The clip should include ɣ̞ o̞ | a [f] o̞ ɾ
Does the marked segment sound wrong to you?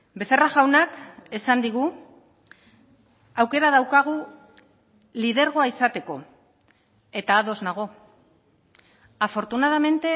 no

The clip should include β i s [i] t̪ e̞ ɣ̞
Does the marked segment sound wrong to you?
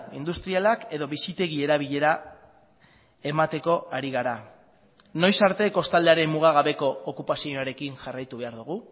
no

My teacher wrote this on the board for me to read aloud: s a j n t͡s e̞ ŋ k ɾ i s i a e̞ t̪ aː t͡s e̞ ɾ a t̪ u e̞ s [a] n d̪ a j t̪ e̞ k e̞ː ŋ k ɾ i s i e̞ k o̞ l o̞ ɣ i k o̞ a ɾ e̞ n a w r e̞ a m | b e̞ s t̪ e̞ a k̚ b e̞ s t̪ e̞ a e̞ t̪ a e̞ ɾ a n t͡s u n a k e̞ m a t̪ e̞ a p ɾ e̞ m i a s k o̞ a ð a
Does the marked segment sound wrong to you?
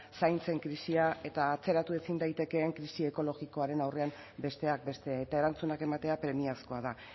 yes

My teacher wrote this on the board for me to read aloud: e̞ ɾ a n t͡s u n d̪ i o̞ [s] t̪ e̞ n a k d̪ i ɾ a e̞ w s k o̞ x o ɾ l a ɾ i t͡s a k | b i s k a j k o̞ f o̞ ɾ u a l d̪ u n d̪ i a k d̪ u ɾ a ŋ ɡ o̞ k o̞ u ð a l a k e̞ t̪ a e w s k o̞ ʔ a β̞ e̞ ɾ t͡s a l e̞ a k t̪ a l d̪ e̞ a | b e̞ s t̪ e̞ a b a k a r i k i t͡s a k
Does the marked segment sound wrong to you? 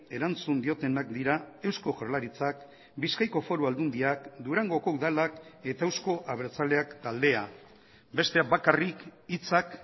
yes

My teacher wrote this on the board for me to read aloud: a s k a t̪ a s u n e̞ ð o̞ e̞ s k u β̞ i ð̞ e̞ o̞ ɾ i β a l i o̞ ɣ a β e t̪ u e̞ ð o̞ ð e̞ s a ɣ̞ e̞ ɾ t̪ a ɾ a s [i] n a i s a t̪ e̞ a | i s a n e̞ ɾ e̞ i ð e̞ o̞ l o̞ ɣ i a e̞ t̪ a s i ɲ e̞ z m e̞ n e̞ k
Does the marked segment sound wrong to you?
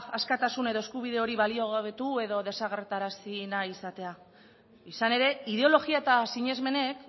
no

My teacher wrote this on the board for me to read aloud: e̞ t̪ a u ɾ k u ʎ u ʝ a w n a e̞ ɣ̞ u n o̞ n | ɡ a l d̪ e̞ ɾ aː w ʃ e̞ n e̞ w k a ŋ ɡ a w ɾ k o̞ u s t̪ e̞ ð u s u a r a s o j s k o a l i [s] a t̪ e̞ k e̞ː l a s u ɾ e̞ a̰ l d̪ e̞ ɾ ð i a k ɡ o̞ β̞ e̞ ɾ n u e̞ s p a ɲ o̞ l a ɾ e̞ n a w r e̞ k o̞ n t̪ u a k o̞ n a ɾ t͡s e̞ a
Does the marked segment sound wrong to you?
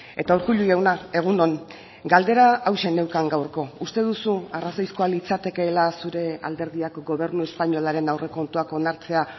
yes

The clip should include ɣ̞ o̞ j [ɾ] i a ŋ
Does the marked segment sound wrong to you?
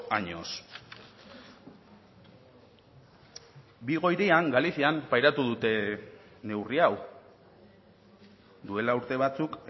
no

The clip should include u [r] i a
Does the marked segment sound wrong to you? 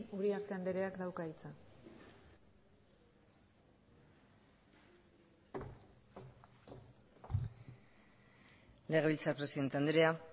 yes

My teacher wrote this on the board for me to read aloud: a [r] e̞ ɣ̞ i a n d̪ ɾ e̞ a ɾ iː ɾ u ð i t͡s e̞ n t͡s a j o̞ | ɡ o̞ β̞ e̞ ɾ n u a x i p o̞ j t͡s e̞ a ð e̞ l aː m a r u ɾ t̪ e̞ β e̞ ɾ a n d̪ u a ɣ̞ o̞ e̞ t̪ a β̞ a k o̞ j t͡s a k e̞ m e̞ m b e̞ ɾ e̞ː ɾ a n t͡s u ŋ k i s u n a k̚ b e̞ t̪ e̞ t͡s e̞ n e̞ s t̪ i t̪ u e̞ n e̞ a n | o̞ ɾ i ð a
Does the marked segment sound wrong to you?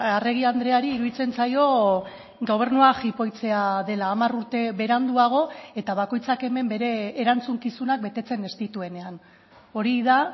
no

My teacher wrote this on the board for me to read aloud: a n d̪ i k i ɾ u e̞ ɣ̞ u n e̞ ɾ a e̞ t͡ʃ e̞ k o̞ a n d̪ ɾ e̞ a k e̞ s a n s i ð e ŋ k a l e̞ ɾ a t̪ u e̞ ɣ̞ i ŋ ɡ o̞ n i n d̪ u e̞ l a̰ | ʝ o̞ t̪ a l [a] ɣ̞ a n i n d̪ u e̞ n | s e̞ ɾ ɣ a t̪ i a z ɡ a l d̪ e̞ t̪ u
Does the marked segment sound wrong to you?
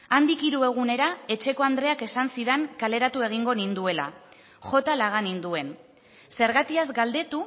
no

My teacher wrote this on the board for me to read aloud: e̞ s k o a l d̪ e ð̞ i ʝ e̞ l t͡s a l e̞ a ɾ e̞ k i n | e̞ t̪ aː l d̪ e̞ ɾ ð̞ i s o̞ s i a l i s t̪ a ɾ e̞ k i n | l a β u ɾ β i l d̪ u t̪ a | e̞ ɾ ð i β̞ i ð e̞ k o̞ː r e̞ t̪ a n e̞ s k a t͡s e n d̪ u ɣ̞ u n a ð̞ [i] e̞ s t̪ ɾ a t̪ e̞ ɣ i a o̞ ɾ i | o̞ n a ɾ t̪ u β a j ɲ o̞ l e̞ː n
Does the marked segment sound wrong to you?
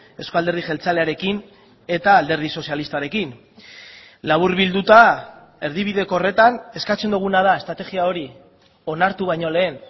yes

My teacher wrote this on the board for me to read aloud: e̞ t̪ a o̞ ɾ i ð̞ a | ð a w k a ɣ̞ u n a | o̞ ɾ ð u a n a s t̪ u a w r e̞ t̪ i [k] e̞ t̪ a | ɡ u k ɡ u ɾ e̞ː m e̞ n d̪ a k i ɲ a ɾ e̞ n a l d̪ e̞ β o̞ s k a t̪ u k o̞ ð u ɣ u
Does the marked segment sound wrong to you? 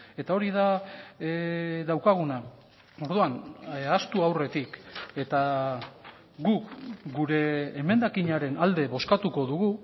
no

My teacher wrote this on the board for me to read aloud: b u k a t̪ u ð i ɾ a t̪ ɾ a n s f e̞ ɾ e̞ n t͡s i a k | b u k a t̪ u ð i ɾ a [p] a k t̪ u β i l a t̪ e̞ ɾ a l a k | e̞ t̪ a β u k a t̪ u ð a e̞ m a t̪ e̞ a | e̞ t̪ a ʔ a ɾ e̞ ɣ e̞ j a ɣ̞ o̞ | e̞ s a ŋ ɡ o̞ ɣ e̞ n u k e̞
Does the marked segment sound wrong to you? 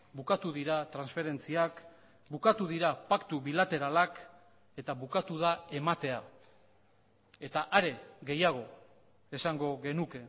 no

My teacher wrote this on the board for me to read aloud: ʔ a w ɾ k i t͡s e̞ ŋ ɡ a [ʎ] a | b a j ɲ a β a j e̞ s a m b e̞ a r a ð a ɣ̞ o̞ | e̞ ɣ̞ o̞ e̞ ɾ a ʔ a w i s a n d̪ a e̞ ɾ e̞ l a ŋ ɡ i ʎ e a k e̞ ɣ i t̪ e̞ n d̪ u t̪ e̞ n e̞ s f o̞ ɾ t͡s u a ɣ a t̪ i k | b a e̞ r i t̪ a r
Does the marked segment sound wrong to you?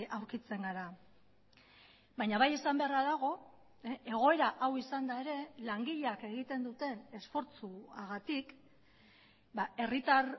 yes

